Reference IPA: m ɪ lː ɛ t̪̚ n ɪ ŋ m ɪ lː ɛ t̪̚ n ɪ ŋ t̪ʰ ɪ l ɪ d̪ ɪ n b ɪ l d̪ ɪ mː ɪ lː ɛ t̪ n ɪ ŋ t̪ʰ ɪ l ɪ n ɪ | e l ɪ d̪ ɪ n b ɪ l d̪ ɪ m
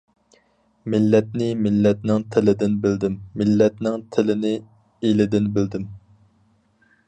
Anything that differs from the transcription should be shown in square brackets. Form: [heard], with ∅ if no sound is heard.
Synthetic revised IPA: m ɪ lː ɛ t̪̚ n ɪ [∅] m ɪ lː ɛ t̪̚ n ɪ ŋ t̪ʰ ɪ l ɪ d̪ ɪ n b ɪ l d̪ ɪ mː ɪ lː ɛ t̪ n ɪ ŋ t̪ʰ ɪ l ɪ n ɪ | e l ɪ d̪ ɪ n b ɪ l d̪ ɪ m